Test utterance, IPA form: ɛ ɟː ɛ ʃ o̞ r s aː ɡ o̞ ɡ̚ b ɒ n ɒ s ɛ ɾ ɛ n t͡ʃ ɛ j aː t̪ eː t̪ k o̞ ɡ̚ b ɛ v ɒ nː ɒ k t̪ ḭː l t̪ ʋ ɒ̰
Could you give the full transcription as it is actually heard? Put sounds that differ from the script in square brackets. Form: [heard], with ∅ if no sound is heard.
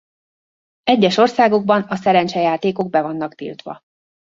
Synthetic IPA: ɛ ɟː ɛ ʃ o̞ r s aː ɡ o̞ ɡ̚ b ɒ n ɒ s ɛ ɾ ɛ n t͡ʃ ɛ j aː t̪ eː [∅] k o̞ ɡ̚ b ɛ v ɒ nː ɒ k t̪ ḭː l t̪ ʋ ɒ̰